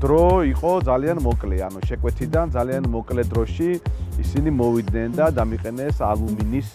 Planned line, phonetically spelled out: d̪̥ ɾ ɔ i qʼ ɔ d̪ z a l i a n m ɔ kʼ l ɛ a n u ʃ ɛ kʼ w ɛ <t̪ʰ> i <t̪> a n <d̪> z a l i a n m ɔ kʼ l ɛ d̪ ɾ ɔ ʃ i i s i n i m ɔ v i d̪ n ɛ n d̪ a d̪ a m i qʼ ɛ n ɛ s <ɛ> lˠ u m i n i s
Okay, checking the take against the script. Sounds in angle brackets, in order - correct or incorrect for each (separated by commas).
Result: correct, incorrect, correct, incorrect